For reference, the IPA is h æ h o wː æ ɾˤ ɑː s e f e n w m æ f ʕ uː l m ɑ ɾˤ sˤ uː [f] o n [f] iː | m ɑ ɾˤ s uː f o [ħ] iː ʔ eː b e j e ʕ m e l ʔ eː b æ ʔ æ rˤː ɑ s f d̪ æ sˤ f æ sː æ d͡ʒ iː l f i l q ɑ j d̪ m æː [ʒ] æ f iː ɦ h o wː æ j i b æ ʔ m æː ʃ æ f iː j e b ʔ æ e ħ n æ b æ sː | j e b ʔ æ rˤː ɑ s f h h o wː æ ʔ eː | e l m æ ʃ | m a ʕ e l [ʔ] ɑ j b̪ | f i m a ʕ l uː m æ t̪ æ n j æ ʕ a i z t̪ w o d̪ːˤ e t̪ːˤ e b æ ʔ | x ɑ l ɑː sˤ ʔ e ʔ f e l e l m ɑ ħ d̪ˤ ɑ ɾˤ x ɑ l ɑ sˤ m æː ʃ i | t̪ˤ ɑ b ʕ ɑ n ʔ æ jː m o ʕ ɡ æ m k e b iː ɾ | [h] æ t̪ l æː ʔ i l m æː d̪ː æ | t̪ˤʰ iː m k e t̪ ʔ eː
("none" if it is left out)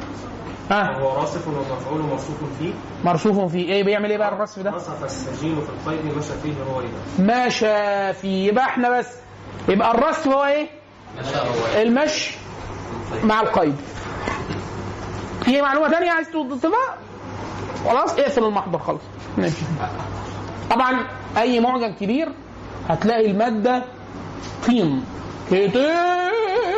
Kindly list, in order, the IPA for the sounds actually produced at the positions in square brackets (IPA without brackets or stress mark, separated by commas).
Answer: f, f, f, ʃ, q, h